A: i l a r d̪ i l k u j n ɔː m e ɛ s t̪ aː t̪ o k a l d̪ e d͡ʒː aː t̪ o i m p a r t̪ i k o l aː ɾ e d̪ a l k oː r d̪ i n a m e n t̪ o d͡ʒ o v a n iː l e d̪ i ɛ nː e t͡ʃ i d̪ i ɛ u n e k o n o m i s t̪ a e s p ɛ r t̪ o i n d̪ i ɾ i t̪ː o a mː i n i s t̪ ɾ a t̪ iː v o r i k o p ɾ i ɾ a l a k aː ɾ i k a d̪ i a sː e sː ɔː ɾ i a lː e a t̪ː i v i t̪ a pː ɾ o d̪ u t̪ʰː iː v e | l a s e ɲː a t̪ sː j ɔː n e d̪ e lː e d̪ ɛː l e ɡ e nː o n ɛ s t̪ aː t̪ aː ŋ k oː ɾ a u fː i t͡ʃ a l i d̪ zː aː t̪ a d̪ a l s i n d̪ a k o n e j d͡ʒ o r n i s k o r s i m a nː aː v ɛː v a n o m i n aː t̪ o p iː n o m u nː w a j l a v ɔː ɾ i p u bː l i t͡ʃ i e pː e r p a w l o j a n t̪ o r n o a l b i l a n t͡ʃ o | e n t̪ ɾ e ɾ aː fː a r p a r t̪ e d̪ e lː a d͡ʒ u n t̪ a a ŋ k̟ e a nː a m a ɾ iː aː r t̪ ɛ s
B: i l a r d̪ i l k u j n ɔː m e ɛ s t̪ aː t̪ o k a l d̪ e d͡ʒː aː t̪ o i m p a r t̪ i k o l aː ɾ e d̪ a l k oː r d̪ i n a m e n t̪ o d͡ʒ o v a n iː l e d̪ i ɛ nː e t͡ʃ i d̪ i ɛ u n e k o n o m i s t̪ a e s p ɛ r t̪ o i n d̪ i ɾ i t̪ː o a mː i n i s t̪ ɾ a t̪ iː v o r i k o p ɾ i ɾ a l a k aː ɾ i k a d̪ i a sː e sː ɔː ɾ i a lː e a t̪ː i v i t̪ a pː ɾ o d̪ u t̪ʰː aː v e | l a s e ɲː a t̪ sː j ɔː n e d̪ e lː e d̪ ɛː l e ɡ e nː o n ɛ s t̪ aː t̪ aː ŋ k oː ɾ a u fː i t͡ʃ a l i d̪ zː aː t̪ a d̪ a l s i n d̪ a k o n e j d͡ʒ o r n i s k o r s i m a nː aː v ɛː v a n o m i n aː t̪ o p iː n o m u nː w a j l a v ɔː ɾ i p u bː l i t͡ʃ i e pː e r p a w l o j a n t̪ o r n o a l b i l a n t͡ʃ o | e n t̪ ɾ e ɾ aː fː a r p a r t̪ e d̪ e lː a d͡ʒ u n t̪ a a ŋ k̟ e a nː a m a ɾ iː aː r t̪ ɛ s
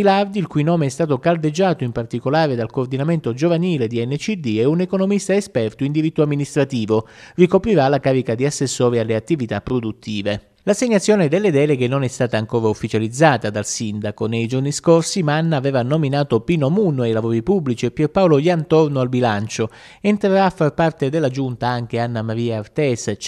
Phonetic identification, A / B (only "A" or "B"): A